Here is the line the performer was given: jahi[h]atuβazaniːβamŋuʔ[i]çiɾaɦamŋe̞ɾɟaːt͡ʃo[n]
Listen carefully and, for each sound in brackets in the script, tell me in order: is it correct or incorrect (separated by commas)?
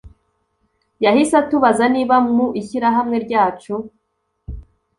incorrect, correct, incorrect